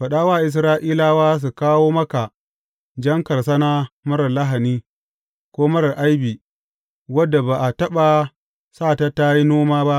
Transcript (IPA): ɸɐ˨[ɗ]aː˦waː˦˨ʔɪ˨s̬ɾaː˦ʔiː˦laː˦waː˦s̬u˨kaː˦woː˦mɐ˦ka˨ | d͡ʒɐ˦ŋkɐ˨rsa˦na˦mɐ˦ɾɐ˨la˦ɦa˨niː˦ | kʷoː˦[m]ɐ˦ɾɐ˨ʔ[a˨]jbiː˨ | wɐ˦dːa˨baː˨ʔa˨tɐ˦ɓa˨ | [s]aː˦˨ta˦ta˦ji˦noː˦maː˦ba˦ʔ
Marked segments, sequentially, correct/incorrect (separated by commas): correct, correct, incorrect, correct